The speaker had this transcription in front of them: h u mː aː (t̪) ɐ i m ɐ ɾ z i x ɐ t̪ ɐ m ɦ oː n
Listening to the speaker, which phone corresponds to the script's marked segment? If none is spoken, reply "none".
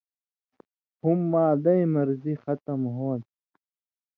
d̪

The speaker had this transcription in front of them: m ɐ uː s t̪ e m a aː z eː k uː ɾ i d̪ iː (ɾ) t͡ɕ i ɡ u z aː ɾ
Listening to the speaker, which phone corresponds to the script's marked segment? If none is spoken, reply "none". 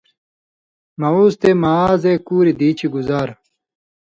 none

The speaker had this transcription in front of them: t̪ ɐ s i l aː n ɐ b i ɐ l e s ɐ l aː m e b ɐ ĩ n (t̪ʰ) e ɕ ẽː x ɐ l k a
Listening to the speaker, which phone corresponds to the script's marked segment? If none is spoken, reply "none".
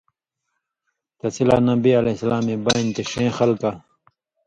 t̪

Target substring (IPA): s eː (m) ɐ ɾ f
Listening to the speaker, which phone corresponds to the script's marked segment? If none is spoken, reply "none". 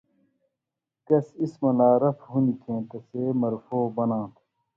m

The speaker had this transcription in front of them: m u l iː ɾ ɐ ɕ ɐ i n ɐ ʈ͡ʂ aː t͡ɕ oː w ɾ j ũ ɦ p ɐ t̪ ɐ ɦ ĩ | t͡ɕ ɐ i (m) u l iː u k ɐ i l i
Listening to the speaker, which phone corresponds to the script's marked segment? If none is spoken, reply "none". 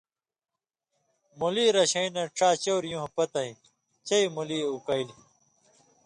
m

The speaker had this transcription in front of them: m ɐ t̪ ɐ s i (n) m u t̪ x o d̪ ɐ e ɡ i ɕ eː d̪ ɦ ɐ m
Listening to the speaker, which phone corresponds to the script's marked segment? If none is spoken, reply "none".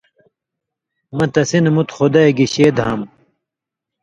n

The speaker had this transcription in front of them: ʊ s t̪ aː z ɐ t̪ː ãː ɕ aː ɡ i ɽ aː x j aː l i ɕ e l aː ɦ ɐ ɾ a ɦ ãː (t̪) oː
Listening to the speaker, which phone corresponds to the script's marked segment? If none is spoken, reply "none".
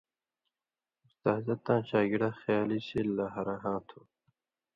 t̪ʰ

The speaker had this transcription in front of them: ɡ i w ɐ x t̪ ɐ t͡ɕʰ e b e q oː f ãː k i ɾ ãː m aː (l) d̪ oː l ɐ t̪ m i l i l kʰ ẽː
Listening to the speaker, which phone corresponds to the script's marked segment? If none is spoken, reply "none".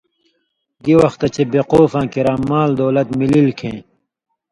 l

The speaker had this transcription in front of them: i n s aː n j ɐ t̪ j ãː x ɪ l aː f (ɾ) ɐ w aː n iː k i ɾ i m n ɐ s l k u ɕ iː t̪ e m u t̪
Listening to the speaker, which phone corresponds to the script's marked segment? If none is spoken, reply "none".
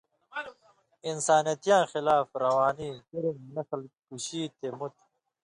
ɾ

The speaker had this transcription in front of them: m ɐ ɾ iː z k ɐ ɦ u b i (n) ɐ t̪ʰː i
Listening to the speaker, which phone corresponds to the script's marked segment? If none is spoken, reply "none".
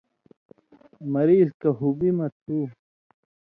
m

